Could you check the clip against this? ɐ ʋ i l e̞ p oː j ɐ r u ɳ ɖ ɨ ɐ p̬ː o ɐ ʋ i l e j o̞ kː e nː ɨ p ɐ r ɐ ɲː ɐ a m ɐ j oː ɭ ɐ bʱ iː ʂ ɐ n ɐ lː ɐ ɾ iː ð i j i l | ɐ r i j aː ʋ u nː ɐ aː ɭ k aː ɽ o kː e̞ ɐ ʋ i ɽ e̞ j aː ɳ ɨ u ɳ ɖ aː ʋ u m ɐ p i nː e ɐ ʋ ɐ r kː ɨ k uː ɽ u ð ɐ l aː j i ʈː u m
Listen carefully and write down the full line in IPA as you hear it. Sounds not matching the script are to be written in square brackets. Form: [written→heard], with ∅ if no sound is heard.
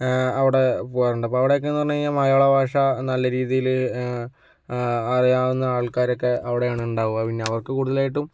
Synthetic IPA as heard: ɐ ʋ i [l→ɽ] e̞ p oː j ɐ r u ɳ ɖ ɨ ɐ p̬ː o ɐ ʋ i [l→ɽ] e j o̞ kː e nː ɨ p ɐ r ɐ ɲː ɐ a m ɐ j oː ɭ ɐ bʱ [iː→aː] ʂ ɐ n ɐ lː ɐ ɾ iː ð i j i l | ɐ r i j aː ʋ u nː ɐ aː ɭ k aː [ɽ→ɾ] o kː e̞ ɐ ʋ i ɽ e̞ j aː ɳ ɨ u ɳ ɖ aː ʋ u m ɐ p i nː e ɐ ʋ ɐ r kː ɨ k uː ɽ u ð ɐ l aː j i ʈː u m